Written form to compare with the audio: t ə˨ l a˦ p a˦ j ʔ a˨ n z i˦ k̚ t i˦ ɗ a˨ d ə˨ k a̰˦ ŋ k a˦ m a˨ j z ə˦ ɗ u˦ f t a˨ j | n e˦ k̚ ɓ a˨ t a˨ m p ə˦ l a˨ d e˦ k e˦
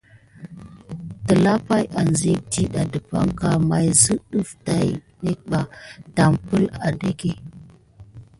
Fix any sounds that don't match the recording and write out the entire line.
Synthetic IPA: t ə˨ l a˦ p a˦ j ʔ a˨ n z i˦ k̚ t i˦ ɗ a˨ d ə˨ p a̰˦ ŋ k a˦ m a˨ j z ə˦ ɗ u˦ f t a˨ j | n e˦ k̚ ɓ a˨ t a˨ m p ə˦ l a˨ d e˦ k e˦